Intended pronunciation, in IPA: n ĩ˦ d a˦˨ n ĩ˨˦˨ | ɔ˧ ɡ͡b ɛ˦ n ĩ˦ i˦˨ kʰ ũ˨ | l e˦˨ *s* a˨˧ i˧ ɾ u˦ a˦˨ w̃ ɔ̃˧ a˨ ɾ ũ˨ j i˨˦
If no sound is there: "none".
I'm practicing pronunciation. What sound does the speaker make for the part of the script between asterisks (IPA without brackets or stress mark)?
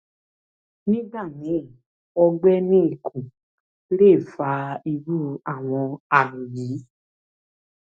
f